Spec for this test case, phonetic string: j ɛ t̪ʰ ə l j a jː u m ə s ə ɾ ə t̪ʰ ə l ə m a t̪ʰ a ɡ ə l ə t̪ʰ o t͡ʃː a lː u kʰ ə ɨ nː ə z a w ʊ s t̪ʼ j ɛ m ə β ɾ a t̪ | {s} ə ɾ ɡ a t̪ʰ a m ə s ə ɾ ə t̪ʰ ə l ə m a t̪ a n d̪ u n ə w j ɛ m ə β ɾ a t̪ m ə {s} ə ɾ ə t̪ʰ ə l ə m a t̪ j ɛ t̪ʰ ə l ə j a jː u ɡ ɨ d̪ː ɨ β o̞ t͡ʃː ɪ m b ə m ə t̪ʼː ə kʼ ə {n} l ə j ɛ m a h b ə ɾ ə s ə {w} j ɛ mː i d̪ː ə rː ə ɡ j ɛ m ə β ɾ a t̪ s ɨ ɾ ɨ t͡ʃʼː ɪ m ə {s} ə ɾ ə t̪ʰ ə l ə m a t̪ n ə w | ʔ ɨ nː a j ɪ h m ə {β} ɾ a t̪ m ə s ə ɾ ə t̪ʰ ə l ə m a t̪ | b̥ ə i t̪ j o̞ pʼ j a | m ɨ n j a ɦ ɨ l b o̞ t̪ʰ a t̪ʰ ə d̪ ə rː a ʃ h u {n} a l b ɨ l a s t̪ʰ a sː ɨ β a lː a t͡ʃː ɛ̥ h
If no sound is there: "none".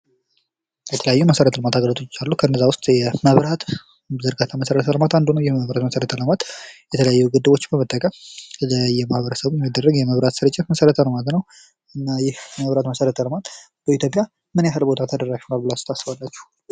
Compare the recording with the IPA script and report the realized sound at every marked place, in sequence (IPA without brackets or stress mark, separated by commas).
z, s, m, β, s, β, n